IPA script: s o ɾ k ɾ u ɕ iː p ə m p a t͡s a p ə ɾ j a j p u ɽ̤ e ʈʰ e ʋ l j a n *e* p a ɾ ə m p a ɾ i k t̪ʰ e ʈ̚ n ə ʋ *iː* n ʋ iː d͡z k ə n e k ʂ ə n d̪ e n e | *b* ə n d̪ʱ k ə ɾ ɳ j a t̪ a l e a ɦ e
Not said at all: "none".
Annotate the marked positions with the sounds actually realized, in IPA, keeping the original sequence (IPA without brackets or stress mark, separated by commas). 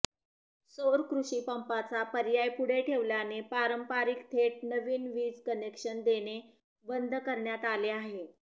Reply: e, iː, b